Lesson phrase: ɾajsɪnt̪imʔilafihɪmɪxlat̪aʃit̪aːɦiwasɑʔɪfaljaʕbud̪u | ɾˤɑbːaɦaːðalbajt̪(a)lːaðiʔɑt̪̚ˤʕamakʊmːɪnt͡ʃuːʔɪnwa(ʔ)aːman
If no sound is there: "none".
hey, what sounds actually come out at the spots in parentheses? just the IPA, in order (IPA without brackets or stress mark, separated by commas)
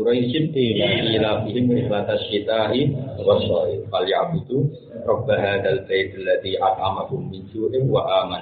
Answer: a, ʔ